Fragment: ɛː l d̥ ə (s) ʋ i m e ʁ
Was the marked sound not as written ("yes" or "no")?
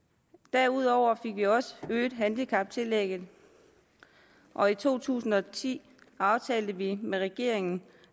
yes